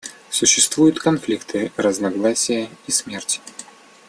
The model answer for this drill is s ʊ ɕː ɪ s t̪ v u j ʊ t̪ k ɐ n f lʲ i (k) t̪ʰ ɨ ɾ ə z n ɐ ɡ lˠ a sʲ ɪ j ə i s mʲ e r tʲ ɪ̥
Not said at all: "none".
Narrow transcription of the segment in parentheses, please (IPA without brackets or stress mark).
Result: k